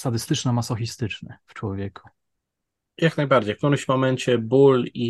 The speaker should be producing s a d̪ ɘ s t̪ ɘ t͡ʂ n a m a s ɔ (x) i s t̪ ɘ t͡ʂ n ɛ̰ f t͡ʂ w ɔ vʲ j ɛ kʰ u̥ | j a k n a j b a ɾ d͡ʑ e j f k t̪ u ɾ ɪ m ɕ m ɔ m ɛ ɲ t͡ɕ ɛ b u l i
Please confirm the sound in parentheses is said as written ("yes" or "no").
yes